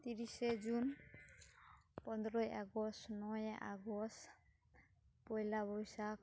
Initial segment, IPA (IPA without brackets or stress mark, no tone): t̪